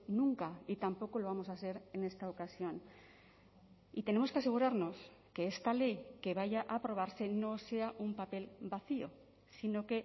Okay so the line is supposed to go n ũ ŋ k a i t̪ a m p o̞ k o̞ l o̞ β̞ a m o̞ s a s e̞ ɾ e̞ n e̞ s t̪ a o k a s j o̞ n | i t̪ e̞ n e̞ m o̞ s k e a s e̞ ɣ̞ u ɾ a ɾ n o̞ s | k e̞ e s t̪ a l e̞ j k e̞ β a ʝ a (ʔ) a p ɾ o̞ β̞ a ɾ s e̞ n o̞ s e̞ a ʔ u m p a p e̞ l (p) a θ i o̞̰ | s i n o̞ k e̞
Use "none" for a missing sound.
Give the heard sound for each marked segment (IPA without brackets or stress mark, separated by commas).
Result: ʔ, b